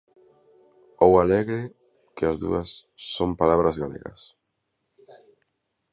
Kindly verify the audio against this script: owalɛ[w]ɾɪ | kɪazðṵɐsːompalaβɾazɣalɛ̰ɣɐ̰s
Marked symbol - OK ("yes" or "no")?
no